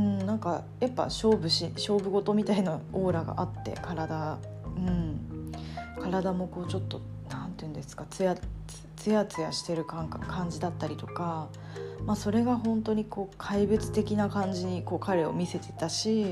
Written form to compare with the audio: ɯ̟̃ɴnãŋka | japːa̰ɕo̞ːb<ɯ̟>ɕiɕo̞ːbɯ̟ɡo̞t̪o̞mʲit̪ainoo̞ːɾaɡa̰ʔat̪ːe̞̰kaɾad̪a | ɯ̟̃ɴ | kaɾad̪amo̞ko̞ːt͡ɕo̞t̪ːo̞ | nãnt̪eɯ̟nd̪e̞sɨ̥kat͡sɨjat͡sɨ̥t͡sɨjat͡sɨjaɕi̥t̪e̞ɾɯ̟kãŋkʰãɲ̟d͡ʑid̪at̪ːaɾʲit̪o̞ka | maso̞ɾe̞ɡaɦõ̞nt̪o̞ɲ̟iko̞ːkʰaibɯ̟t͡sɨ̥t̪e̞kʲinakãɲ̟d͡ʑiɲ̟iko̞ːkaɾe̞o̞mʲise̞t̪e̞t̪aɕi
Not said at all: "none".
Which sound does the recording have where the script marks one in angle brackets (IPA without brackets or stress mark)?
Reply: ɯ̟